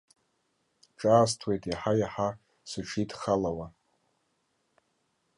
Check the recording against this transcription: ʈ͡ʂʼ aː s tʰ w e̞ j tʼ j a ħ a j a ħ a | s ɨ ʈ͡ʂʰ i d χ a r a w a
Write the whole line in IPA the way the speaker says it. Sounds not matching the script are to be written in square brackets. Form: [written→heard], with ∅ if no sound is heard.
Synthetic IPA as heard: ʈ͡ʂʼ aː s tʰ w e̞ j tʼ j a ħ a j a ħ a | s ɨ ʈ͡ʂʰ i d χ a [r→l] a w a